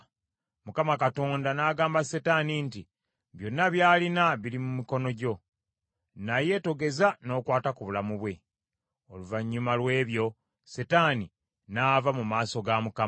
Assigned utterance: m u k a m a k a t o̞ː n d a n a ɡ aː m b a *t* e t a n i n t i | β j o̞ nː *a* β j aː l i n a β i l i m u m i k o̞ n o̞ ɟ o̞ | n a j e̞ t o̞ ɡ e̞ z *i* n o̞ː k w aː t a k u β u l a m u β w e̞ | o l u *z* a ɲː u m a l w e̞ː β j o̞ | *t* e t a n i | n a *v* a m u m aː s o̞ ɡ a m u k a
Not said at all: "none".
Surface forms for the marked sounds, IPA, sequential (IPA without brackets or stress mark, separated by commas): s, a, a, v, s, v